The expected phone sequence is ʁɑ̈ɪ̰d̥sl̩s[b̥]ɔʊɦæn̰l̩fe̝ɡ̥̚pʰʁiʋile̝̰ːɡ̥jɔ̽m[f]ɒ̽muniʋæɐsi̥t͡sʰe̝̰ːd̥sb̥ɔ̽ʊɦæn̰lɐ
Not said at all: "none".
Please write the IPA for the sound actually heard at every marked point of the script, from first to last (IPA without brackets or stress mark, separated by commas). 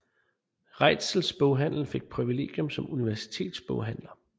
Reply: b̥, s